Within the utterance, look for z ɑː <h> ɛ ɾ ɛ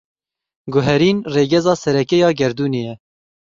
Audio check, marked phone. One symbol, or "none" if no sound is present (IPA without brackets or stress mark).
s